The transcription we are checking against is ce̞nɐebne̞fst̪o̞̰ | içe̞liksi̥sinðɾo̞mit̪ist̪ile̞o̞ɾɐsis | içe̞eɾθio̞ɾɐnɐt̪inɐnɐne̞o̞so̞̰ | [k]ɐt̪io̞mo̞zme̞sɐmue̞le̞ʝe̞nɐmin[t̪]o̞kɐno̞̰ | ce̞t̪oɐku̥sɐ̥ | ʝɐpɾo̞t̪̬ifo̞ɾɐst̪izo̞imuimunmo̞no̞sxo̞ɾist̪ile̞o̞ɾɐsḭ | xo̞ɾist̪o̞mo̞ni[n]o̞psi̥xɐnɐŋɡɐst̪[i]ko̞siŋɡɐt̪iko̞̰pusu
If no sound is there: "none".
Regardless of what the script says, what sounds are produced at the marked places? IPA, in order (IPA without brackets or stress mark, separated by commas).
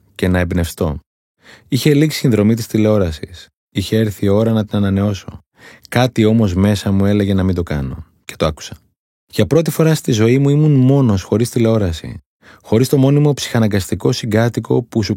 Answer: k, d̪, m, i